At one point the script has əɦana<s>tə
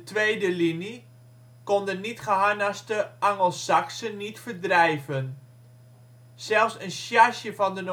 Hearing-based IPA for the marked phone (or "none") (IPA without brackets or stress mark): s